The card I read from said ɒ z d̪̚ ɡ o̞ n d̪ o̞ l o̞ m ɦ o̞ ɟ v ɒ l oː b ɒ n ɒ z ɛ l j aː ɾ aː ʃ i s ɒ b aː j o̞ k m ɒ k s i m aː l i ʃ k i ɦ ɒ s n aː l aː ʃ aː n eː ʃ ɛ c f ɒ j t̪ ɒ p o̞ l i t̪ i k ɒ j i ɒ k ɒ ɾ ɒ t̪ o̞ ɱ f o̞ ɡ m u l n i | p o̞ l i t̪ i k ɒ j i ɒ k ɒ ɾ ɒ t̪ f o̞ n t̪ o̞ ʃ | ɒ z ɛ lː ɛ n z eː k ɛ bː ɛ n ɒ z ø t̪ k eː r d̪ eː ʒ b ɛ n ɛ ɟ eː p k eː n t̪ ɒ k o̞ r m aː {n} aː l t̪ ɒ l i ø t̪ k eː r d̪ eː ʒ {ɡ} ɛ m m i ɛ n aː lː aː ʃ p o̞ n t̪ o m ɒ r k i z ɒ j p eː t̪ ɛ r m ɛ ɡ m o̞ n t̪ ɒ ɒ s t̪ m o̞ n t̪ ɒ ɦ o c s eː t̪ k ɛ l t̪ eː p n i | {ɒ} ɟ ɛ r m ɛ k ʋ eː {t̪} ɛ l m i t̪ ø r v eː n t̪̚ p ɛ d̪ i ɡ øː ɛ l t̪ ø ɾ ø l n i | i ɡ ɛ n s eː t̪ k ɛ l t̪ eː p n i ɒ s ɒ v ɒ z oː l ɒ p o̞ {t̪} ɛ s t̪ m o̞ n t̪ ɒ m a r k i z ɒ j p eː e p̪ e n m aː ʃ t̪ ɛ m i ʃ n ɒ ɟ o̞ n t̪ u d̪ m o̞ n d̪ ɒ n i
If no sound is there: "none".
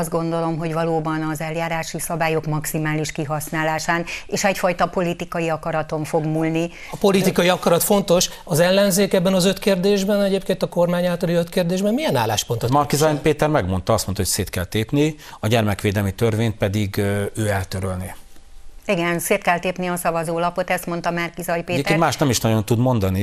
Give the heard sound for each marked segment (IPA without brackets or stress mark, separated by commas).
ɲ, b, ɒ, d̪, t̪